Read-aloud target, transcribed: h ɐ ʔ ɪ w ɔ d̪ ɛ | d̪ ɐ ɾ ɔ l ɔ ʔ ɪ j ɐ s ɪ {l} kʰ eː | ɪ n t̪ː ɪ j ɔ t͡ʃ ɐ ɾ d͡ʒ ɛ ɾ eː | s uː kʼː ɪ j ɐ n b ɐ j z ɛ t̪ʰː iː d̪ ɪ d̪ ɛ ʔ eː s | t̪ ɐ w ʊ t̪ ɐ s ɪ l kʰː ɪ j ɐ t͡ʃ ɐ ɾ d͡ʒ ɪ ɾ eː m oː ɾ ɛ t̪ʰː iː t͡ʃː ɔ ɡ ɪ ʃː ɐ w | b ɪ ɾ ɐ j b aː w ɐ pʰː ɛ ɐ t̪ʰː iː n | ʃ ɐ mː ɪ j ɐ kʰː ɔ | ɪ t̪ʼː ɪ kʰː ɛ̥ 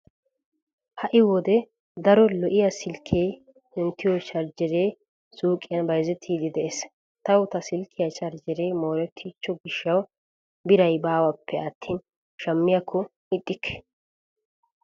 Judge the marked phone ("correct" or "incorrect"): correct